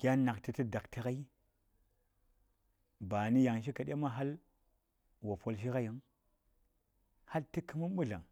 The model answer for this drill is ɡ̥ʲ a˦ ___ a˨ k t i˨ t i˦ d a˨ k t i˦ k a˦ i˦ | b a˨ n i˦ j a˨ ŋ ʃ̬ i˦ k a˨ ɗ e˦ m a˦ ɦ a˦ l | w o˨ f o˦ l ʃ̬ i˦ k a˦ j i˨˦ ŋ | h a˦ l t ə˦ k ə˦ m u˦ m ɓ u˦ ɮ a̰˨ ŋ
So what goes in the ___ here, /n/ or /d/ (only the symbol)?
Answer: n